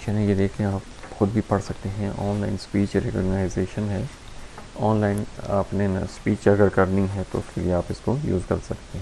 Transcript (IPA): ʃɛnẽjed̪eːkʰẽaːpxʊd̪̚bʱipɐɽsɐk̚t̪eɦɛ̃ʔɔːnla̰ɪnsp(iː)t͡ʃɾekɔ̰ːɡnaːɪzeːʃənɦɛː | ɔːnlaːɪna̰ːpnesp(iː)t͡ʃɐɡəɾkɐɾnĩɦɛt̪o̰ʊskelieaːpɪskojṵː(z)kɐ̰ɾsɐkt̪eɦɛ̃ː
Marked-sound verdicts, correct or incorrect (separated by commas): correct, correct, correct